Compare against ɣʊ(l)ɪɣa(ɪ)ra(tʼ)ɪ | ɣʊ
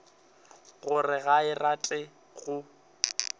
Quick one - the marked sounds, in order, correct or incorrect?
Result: incorrect: r, correct, correct

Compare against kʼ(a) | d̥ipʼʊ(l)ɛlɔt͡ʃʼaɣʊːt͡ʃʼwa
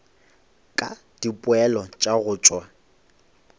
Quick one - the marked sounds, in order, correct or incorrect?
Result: correct, incorrect: none

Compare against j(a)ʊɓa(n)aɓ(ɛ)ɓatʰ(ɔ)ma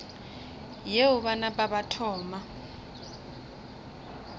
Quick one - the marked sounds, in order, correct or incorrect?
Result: incorrect: e, correct, incorrect: a, incorrect: ɔː

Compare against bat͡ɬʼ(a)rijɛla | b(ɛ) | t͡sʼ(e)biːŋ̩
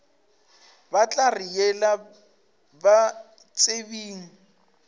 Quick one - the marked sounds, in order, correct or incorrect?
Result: correct, incorrect: a, correct

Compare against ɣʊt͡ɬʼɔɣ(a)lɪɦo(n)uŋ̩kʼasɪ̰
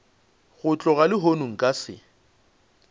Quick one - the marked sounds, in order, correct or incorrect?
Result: correct, correct

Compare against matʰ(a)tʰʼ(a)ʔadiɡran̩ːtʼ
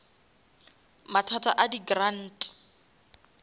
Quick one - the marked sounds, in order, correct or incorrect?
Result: correct, correct

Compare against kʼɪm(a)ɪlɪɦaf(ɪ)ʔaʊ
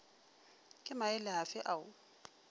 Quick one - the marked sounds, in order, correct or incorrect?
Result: correct, correct

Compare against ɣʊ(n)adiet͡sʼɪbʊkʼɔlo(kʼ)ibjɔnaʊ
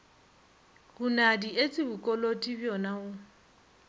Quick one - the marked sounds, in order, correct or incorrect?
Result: correct, incorrect: tʼ

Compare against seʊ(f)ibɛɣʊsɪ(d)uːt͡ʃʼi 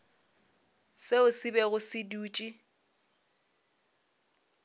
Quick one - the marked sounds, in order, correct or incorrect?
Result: incorrect: s, correct

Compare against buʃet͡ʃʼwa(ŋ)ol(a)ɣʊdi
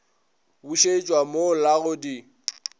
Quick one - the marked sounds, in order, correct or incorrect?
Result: incorrect: m, correct

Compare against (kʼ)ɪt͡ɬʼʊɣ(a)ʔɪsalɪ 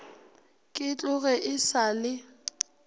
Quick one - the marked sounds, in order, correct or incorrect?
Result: correct, incorrect: ɛ

